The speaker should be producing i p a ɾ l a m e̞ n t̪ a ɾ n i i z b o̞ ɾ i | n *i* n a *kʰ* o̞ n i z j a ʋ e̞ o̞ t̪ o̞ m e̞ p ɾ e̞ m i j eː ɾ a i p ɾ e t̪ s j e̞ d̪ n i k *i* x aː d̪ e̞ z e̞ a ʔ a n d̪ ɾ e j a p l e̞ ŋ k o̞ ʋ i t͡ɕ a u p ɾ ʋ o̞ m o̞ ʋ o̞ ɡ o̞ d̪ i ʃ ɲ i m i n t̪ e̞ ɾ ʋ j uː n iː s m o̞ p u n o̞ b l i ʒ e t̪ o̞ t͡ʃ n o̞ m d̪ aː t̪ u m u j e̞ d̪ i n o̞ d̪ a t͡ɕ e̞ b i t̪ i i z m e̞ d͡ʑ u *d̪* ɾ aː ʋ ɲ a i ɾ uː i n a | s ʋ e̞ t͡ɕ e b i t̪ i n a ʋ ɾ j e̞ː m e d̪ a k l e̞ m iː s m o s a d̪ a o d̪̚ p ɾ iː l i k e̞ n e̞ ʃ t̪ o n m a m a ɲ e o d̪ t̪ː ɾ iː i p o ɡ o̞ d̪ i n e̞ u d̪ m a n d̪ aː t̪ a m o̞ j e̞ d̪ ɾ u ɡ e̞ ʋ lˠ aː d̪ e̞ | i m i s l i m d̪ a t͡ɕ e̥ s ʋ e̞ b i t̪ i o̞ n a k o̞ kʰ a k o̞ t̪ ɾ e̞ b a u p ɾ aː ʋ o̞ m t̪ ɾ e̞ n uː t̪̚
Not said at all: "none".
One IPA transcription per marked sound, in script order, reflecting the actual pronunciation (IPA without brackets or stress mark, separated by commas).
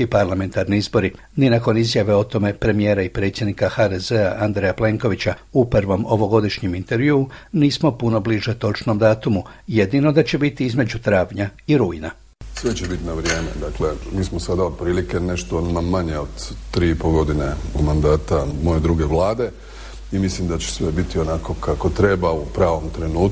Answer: i, k, a, t̪